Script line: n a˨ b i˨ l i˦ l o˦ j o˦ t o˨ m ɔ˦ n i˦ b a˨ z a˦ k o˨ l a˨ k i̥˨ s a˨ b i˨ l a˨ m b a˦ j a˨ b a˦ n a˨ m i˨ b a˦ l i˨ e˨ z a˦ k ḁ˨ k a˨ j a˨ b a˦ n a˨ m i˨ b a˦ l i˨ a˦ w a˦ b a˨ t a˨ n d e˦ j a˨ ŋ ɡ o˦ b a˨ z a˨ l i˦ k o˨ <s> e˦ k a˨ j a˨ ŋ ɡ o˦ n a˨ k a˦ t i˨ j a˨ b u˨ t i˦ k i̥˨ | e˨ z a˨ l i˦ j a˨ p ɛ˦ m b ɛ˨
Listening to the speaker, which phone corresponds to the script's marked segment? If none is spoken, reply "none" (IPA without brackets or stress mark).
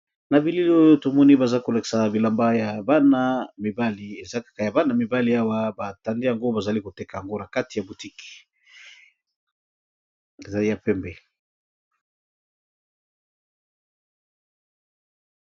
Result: t